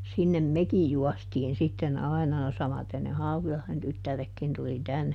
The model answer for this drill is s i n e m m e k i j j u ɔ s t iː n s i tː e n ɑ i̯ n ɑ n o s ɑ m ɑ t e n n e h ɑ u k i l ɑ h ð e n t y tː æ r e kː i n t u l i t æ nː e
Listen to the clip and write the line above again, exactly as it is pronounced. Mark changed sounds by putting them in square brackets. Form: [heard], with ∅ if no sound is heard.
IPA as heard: s i [nː] e m m e k i j j u ɔ s t iː n s i tː e n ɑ i̯ n ɑ n o s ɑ m ɑ t e n n e h ɑ u k i l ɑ h ð e n t y tː æ r e kː i n t u l i t æ nː e